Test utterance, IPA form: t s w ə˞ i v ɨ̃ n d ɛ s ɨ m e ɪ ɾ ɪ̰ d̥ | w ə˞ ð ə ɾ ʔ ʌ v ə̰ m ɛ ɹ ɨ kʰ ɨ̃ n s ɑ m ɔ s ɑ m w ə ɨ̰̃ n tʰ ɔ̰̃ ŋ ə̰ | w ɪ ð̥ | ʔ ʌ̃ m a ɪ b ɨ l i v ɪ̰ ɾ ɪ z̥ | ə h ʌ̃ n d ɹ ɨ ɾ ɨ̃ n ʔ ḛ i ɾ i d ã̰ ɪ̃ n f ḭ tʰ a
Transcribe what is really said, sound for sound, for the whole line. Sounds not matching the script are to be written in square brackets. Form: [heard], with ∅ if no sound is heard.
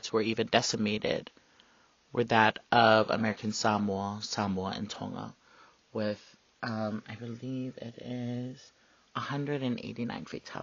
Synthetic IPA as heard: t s w ə˞ i v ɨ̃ n d ɛ s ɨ m e ɪ ɾ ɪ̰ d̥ | w ə˞ ð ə ɾ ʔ ʌ v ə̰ m ɛ ɹ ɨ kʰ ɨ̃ n s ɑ m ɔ s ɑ m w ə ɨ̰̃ n tʰ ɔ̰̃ ŋ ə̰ | w ɪ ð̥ | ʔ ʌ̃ m a ɪ b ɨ l i v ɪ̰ ɾ ɪ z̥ | ə h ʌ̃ n d ɹ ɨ ɾ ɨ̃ n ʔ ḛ [ɪ] ɾ i [n] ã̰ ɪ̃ n f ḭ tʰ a